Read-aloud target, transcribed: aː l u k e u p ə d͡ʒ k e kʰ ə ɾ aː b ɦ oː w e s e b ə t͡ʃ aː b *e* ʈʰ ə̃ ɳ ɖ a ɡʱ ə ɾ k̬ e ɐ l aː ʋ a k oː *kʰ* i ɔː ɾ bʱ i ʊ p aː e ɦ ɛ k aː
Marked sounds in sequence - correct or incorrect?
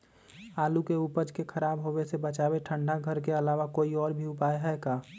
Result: correct, incorrect: none

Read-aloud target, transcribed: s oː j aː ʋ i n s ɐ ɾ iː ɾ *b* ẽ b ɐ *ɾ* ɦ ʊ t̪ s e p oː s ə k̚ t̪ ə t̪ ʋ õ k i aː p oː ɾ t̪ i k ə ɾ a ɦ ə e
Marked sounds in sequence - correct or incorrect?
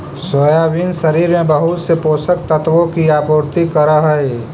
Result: incorrect: m, incorrect: none

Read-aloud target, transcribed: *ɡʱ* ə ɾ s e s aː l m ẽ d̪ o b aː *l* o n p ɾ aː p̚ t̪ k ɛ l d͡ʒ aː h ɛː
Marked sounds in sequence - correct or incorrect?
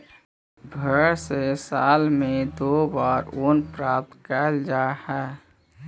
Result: incorrect: bʱ, incorrect: ɾ

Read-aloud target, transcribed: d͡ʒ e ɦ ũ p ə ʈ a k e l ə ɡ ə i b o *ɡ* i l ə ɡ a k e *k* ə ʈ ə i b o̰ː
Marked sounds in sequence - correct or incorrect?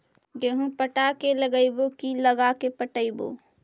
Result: incorrect: k, incorrect: p

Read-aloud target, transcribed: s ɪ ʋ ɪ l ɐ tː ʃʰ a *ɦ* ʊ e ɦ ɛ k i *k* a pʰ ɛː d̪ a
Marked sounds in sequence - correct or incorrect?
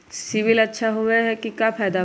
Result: correct, correct

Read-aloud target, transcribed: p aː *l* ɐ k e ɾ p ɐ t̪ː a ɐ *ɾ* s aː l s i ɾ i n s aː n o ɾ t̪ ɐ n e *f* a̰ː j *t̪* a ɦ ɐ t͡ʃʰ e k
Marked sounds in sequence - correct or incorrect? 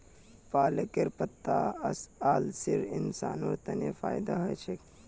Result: correct, incorrect: none, correct, incorrect: d̪

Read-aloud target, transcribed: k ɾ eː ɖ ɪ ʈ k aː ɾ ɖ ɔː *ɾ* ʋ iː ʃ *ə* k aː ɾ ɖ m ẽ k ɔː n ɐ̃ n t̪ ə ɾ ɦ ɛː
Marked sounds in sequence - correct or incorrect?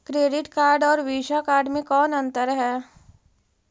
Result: correct, incorrect: a

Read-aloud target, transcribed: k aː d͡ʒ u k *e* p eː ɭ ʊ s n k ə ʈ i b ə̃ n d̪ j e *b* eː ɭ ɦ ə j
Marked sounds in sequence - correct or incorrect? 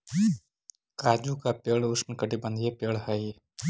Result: incorrect: a, incorrect: p

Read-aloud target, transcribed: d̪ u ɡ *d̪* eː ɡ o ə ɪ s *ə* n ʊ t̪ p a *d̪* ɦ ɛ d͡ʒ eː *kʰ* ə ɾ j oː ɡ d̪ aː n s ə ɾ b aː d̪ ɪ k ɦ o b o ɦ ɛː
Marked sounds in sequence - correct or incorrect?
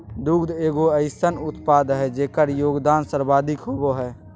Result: correct, correct, correct, incorrect: k

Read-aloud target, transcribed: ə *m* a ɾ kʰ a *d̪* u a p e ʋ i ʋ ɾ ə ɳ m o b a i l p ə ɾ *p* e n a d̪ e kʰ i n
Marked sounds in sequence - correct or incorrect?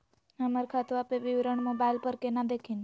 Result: correct, incorrect: t̪, incorrect: k

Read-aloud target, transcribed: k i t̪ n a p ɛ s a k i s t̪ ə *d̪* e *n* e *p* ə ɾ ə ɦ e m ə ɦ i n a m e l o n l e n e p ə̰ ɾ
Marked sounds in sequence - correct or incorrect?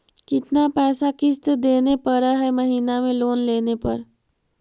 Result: correct, correct, correct

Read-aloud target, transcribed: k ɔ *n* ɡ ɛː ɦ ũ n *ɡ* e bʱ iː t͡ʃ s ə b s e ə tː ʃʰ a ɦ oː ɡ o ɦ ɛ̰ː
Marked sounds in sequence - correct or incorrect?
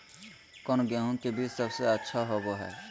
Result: correct, incorrect: k

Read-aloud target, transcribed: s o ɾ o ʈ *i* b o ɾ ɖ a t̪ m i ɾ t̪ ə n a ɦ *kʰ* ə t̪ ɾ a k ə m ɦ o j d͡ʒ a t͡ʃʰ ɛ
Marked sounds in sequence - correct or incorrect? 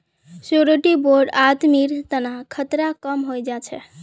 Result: correct, correct

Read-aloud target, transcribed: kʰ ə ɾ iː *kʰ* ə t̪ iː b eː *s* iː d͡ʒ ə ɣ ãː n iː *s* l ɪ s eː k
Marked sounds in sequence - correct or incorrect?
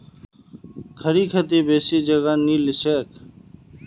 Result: correct, correct, incorrect: none

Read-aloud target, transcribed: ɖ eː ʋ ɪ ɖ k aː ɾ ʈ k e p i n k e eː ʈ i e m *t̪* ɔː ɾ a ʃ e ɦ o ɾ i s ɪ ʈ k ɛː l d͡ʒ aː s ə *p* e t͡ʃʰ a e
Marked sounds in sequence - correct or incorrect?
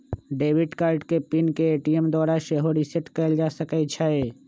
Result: incorrect: d̪, incorrect: k

